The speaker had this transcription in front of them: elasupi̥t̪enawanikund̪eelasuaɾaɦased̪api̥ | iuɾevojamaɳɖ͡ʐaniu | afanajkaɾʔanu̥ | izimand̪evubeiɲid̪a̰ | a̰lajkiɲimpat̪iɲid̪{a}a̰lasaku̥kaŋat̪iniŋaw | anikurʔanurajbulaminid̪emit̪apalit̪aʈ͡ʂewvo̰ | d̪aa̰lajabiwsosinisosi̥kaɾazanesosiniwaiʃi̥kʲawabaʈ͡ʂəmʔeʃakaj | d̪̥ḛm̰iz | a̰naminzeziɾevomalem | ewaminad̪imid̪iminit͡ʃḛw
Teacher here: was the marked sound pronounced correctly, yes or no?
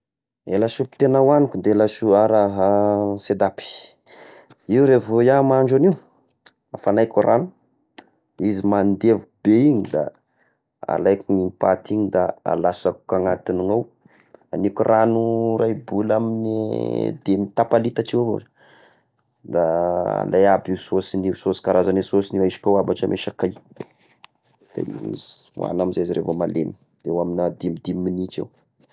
yes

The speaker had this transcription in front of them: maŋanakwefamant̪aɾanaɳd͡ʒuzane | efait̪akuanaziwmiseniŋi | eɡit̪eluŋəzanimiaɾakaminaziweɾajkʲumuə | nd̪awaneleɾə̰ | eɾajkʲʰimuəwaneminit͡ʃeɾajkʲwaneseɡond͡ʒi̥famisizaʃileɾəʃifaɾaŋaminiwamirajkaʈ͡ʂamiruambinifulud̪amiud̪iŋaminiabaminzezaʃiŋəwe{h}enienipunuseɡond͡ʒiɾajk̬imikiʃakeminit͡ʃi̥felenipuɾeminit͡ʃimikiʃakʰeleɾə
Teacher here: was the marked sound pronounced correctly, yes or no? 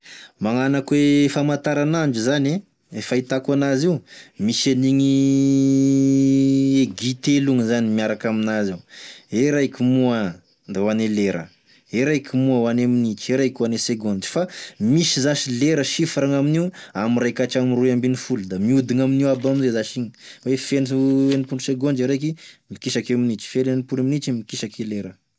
no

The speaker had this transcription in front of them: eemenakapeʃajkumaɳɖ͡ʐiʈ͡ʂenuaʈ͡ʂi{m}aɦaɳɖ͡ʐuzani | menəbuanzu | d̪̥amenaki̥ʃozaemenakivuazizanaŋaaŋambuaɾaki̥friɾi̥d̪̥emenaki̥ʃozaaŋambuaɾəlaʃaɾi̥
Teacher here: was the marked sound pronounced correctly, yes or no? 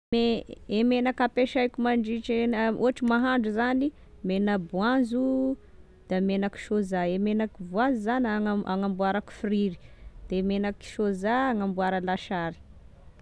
yes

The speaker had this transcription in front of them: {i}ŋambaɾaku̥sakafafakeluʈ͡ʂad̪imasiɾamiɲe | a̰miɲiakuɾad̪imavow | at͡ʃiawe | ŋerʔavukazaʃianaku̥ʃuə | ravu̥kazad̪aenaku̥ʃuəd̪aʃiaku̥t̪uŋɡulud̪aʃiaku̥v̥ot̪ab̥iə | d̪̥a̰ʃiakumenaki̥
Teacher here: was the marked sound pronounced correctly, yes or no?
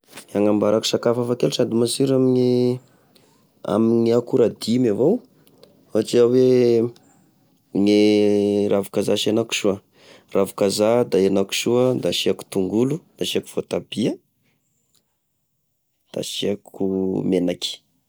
no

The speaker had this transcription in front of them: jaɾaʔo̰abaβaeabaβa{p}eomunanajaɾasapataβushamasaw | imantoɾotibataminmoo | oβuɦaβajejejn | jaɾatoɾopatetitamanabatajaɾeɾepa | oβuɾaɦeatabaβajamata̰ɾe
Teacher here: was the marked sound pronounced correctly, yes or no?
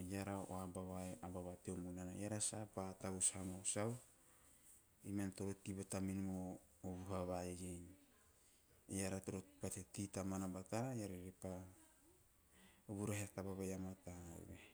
no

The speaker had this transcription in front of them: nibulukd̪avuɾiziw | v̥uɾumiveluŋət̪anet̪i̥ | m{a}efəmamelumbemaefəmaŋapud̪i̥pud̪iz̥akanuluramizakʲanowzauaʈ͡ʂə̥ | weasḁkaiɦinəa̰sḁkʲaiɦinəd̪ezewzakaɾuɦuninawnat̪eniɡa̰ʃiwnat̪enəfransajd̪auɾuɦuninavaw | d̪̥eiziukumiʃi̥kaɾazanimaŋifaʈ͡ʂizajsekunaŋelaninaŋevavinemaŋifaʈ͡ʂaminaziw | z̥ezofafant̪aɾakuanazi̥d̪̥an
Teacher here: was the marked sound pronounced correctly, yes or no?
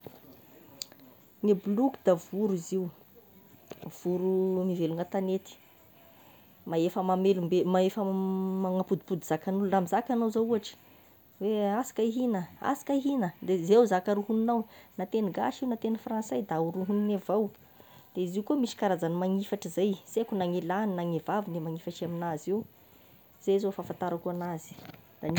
yes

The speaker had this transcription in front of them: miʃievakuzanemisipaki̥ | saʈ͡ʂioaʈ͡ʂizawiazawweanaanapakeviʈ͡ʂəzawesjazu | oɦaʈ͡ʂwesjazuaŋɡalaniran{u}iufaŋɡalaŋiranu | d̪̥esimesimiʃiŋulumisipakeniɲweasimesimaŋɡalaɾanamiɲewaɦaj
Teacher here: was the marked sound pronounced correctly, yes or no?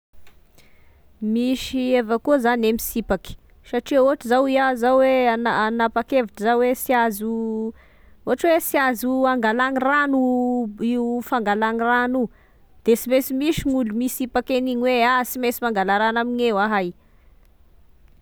yes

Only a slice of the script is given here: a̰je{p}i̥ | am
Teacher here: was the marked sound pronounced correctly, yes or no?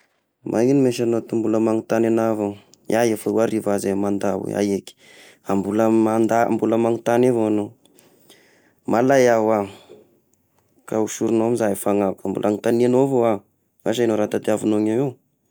no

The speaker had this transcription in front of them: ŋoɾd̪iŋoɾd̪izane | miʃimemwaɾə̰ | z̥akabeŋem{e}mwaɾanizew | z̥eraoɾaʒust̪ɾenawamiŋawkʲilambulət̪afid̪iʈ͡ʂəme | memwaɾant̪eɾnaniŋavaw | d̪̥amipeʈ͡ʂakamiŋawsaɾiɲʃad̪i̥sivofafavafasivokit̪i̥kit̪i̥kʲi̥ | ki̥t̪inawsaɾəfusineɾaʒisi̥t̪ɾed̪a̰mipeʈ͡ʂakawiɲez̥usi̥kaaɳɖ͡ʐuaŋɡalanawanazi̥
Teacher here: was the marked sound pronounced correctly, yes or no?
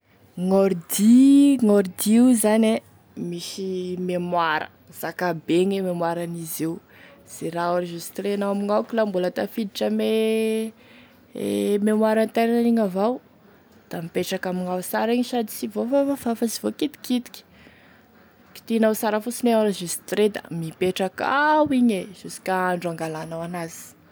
yes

